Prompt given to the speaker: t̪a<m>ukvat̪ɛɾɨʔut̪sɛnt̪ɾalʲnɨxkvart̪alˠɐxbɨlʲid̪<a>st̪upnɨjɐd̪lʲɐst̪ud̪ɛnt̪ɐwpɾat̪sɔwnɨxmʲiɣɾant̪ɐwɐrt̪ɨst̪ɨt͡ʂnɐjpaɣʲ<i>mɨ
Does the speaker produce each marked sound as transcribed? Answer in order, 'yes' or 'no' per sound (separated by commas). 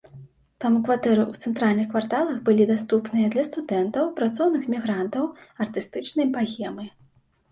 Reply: yes, yes, no